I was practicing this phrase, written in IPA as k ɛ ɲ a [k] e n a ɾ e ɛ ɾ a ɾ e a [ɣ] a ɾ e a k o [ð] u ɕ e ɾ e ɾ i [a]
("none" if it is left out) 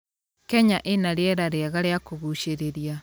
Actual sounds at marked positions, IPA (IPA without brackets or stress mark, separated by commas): ʔ, ɣ, ɣ, a